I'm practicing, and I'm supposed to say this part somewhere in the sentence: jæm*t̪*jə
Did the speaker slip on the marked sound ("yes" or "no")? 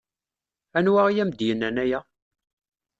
yes